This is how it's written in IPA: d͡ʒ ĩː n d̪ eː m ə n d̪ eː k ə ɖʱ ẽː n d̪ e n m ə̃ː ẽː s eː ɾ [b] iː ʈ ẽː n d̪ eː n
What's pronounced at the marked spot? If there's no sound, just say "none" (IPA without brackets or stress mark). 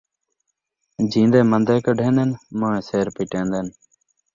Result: p